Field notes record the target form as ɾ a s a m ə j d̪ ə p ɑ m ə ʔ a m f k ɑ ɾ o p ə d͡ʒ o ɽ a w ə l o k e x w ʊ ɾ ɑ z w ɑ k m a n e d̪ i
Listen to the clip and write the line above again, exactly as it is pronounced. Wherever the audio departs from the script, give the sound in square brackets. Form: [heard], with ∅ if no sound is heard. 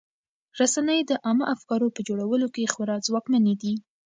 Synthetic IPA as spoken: ɾ a s a [n] ə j d̪ ə [ʔ] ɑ m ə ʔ a [∅] f k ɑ ɾ o p ə d͡ʒ o ɽ a w ə l o k e x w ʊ ɾ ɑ z w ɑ k m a n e d̪ i